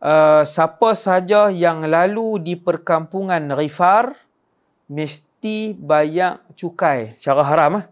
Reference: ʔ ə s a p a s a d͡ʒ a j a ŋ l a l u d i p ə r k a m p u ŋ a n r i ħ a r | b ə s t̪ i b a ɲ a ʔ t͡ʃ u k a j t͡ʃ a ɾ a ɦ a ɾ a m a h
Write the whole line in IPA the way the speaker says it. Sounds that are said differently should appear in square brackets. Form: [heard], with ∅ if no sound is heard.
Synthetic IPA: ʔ ə s a p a s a d͡ʒ a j a ŋ l a l u d i p ə r k a m p u ŋ a n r i [f] a r | [m] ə s t̪ i b a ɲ a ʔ t͡ʃ u k a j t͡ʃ a ɾ a ɦ a ɾ a m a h